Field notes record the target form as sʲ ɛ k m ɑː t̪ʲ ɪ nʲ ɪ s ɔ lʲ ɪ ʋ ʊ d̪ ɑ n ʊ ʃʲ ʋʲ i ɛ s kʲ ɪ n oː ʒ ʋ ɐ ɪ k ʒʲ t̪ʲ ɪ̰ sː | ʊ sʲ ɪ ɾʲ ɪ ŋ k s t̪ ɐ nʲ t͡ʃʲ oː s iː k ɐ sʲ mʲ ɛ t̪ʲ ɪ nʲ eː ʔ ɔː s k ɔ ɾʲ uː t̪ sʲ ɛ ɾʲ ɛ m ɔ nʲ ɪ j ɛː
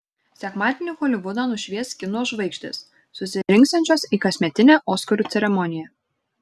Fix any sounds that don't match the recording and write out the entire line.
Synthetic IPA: sʲ ɛ k m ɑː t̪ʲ ɪ nʲ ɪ x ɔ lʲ ɪ ʋ ʊ d̪ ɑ n ʊ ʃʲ ʋʲ i ɛ s kʲ ɪ n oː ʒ ʋ ɐ ɪ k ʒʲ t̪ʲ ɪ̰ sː | ʊ sʲ ɪ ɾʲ ɪ ŋ k s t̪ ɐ nʲ t͡ʃʲ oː s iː k ɐ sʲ mʲ ɛ t̪ʲ ɪ nʲ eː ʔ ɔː s k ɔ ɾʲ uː t̪ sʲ ɛ ɾʲ ɛ m ɔ nʲ ɪ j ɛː